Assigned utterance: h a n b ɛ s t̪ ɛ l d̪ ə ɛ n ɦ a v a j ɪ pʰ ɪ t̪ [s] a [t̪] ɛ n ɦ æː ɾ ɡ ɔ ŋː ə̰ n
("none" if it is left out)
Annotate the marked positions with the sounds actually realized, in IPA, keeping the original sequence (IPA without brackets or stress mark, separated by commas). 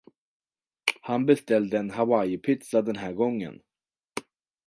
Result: s, d̪